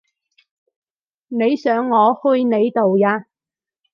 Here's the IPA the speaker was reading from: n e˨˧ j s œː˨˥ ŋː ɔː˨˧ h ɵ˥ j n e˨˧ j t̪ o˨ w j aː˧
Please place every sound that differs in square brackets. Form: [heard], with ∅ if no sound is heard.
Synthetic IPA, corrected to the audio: n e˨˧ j s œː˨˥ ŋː ɔː˨˧ h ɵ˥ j n e˨˧ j t̪ o˨ w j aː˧

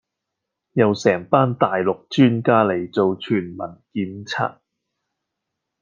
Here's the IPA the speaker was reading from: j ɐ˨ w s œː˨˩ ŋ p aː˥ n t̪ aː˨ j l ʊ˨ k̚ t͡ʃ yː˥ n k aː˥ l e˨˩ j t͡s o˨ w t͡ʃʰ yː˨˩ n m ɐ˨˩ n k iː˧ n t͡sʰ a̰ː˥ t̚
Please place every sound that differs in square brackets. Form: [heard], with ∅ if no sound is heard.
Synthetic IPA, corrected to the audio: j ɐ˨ w s [ɛː˨˩] ŋ p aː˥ n t̪ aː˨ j l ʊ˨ k̚ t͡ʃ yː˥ n k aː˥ l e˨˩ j t͡s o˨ w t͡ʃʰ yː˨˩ n m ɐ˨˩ n k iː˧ n t͡sʰ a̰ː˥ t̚

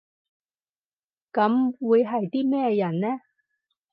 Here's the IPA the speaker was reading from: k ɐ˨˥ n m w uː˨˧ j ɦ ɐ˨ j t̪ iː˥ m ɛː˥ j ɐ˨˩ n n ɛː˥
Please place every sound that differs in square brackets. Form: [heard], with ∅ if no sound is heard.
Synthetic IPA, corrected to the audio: k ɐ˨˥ [∅] m w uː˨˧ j ɦ ɐ˨ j t̪ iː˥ m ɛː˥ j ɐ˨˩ n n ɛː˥

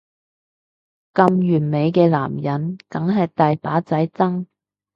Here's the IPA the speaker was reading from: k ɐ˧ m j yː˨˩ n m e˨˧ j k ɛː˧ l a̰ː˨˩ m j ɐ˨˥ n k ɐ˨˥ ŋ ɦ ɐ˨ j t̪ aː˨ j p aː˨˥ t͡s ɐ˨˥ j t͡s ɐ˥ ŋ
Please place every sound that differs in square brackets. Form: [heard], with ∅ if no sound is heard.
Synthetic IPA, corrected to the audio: k ɐ˧ m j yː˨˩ n m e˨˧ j k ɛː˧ l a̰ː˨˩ m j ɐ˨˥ n k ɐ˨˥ ŋ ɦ ɐ˨ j t̪ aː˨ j p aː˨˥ t͡s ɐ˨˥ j t͡s ɐ˥ ŋ

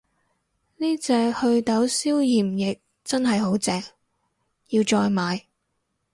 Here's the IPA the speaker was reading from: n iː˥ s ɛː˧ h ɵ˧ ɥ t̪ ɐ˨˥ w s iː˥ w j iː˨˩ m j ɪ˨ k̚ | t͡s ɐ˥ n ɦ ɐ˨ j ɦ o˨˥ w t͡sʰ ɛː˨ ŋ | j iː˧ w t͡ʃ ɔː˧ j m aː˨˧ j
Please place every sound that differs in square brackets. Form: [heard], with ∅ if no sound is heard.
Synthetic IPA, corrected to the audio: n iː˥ [t͡s] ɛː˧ h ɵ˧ ɥ t̪ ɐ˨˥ w s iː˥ w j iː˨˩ m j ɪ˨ k̚ | t͡s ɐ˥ n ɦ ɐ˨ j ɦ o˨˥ w [t͡s] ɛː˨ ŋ | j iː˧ w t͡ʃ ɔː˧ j m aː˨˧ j

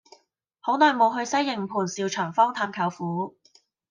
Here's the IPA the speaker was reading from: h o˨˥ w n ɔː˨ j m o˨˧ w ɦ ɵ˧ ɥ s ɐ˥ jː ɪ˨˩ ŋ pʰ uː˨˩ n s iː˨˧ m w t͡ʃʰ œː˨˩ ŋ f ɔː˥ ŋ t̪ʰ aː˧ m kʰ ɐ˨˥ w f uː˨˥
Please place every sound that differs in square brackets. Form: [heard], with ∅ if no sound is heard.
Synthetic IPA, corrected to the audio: h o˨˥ w n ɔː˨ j m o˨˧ w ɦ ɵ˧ ɥ s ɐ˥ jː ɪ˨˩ ŋ pʰ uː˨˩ n s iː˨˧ [∅] w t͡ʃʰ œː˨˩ ŋ f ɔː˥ ŋ t̪ʰ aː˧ m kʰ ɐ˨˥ w f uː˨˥

